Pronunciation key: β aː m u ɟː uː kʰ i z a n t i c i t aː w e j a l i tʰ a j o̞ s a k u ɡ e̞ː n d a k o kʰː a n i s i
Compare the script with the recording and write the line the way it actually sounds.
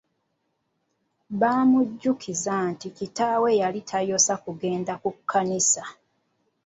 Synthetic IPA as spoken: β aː m u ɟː u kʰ i z a n t i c i t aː w e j a l i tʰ a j o̞ s a k u ɡ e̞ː n d a k u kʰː a n i s a

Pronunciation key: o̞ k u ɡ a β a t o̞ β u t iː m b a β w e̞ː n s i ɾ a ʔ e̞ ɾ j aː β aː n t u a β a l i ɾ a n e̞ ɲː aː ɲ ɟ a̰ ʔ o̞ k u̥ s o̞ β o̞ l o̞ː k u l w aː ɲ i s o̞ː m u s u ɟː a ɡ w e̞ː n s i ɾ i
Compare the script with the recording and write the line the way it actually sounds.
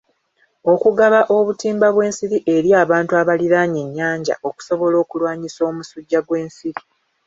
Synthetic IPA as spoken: o̞ k u ɡ a β a ʔ o̞ β u t iː m b a β w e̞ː n s i ɾ i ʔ e̞ ɾ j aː β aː n t u a β a l i ɾ a ɲ e̞ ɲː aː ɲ ɟ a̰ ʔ o̞ k u̥ s o̞ β o̞ l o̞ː k u l w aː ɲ i s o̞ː m u s u ɟː a ɡ w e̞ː n s i ɾ i

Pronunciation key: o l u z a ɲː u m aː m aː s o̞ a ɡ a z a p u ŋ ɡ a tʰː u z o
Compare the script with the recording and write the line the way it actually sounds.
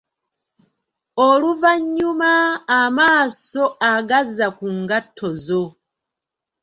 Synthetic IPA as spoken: o l u v a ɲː u m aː m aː s o̞ a ɡ a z a k u ŋ ɡ a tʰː o z o

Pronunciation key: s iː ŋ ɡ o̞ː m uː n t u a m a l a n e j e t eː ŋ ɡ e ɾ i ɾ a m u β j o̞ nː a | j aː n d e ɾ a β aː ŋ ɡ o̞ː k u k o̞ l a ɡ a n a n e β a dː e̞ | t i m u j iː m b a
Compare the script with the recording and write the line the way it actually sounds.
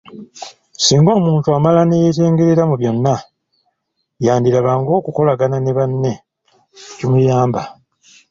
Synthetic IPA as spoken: s iː ŋ ɡ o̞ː m uː n t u a m a l a n e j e t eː ŋ ɡ e ɾ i ɾ a m u β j o̞ nː a | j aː n d i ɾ a β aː ŋ ɡ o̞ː k u k o̞ l a ɡ a n a n e β a nː e̞ | c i m u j aː m b a

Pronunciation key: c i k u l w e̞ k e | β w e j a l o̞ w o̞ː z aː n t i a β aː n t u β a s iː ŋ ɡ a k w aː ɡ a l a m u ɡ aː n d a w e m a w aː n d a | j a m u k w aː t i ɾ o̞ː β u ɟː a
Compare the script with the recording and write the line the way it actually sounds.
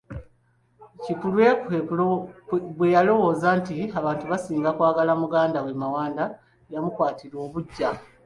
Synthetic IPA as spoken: c i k u l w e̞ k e | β w e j a l o̞ w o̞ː z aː n t i a β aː n t u β a s iː ŋ ɡ a k w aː ɡ a l a m u ɡ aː n d a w e m a w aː n d a | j a m u k w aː t i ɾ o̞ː β u ɟː a

